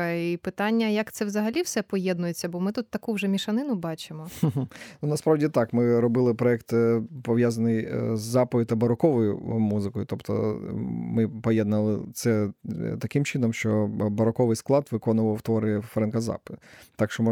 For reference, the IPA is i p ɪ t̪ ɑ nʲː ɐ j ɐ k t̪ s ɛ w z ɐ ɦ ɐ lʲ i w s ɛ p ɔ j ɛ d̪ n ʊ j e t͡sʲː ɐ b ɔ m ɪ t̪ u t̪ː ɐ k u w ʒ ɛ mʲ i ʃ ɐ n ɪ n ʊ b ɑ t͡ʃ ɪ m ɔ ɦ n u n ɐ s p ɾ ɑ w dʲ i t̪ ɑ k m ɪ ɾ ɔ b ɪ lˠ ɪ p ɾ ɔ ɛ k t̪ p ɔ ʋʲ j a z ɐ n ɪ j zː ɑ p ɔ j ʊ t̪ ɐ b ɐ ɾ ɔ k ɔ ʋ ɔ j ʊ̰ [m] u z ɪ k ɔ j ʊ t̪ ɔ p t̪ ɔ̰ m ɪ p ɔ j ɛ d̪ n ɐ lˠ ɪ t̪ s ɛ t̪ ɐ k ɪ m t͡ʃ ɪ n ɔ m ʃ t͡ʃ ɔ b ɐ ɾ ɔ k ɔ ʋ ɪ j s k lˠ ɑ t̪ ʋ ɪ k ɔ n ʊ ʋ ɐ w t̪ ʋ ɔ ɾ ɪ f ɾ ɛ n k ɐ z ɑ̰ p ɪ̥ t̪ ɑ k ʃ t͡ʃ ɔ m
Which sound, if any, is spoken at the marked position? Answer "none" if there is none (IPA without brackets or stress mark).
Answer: m